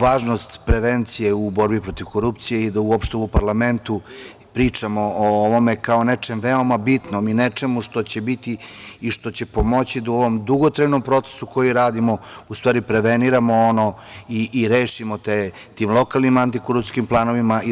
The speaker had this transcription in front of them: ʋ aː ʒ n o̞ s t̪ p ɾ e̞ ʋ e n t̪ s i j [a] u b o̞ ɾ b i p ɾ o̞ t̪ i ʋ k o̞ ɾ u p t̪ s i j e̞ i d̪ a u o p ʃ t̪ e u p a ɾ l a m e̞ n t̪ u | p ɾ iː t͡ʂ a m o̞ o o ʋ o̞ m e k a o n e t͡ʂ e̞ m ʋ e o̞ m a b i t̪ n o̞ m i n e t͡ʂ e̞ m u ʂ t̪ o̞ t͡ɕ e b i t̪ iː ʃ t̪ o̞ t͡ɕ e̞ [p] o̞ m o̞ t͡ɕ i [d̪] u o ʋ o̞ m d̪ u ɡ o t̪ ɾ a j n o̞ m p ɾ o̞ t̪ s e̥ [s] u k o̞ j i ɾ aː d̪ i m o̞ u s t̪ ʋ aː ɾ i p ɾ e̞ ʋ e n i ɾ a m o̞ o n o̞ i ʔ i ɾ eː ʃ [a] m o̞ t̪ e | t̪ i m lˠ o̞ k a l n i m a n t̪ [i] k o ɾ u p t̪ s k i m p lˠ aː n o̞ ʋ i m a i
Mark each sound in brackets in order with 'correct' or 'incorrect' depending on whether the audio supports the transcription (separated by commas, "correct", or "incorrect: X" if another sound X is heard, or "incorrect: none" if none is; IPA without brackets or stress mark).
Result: incorrect: e, correct, correct, correct, incorrect: i, correct